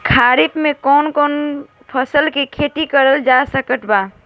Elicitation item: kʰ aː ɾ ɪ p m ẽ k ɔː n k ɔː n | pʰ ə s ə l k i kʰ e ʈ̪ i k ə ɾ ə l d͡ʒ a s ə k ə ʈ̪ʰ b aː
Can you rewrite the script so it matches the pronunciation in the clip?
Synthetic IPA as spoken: kʰ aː ɾ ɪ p m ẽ k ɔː n k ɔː n | pʰ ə s ə l k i kʰ e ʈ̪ i k ə ɾ ə l d͡ʒ a s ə k ə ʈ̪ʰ b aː